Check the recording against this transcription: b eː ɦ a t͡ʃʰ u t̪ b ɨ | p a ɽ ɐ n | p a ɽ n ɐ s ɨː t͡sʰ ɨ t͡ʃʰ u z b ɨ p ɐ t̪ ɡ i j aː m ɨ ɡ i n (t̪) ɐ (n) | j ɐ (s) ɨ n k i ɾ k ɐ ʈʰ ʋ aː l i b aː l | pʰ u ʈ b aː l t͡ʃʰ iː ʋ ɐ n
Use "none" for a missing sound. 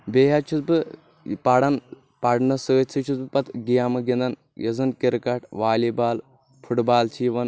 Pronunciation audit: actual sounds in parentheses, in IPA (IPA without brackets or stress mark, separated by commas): d̪, n, z